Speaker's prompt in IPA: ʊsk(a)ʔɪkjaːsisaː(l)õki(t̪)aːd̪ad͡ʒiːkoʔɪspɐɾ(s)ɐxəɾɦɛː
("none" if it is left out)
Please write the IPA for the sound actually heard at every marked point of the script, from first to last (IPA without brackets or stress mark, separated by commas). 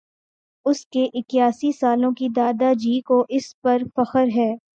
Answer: e, l, d̪, f